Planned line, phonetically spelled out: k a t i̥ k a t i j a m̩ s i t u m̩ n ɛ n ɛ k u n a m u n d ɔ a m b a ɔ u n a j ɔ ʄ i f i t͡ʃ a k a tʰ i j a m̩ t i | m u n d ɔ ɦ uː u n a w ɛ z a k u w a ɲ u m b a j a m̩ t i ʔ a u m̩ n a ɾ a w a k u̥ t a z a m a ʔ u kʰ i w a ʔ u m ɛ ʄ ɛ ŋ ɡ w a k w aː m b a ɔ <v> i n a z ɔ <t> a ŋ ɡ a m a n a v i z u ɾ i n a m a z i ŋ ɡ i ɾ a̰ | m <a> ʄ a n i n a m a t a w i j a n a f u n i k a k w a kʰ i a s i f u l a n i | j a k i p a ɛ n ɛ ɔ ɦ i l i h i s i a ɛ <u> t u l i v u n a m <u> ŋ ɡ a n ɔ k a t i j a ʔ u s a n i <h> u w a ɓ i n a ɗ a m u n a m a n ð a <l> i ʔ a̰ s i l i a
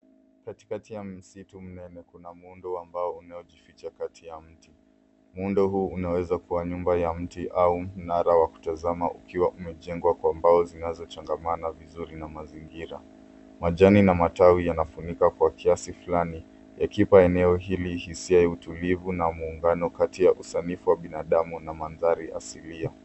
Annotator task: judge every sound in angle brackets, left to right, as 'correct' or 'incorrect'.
incorrect, incorrect, correct, correct, incorrect, incorrect, incorrect

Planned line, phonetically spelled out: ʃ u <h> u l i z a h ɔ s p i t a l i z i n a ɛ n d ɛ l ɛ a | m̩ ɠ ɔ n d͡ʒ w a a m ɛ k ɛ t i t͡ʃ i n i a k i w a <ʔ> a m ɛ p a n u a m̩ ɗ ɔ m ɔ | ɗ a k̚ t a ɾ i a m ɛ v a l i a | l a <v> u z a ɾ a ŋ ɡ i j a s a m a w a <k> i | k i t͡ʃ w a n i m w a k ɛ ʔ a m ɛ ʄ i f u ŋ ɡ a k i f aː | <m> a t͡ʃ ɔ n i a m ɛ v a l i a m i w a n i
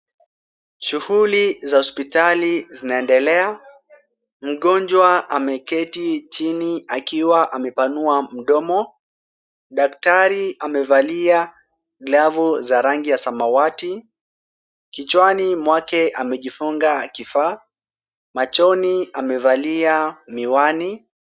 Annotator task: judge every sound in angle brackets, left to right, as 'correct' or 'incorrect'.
correct, correct, correct, incorrect, correct

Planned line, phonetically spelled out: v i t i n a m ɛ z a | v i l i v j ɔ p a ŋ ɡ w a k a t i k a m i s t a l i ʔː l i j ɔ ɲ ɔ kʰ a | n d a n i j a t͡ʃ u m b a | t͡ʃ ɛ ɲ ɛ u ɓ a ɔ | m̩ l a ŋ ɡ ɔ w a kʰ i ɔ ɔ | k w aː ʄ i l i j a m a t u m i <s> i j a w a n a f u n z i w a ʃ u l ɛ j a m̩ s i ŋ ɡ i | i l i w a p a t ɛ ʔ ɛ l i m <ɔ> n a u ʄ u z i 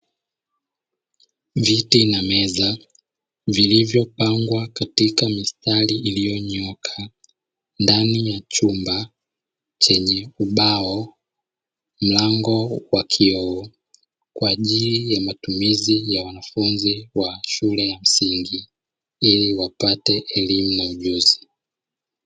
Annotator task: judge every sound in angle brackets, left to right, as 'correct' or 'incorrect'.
incorrect, incorrect

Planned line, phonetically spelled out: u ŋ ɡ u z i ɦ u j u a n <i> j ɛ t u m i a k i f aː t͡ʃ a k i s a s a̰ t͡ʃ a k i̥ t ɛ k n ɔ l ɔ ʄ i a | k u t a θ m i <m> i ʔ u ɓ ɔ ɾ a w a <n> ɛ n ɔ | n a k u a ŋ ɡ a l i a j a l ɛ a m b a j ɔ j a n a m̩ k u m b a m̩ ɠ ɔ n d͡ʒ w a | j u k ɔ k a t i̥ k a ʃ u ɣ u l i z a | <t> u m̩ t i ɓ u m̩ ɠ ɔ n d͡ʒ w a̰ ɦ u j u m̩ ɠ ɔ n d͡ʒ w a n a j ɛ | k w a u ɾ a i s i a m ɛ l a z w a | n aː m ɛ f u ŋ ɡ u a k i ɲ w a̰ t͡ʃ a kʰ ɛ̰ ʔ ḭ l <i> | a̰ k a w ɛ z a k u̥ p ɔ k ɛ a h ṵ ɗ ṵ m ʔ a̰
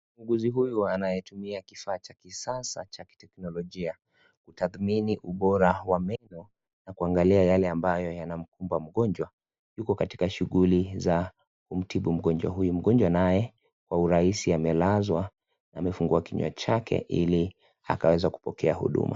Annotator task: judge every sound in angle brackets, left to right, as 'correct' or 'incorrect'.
incorrect, incorrect, incorrect, incorrect, correct

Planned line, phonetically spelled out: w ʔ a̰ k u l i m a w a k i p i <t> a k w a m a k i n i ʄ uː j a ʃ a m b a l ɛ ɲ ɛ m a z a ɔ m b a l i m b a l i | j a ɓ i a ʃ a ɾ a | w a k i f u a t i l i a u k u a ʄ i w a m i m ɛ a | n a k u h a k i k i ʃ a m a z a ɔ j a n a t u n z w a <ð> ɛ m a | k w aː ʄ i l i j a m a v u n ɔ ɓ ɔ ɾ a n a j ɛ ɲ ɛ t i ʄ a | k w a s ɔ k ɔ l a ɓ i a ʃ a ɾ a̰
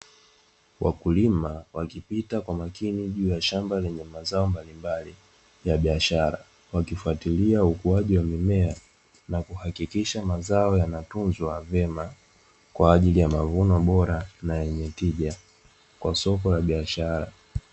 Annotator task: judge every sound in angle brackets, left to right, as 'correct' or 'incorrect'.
correct, incorrect

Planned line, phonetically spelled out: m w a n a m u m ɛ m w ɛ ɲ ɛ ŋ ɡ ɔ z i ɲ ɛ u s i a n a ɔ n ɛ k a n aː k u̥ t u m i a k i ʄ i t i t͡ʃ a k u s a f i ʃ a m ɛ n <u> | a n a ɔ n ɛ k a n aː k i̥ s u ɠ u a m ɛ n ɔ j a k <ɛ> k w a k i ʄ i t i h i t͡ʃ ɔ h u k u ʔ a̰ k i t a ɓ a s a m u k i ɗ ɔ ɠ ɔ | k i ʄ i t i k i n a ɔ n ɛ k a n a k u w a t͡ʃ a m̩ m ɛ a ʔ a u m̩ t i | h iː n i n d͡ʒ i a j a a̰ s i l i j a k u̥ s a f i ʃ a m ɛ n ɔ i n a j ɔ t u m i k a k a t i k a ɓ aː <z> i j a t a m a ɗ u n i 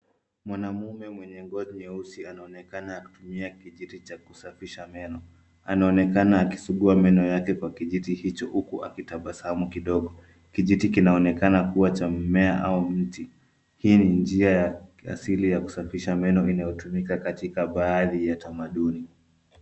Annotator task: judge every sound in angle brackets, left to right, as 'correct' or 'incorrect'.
incorrect, correct, incorrect

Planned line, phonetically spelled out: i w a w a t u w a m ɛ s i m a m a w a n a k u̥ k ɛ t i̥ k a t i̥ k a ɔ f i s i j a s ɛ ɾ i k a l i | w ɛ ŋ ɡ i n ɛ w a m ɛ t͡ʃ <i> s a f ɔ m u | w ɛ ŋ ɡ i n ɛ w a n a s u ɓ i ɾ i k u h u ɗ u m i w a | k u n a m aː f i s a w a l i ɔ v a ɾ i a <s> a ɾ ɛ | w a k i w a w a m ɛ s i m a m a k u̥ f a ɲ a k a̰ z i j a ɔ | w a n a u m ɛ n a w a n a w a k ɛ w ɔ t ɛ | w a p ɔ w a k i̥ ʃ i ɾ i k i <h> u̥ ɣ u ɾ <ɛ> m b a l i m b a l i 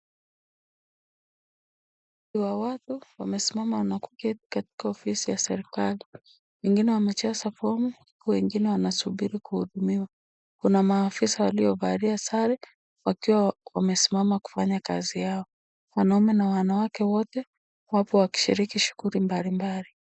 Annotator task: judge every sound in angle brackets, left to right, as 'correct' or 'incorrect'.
incorrect, correct, incorrect, incorrect

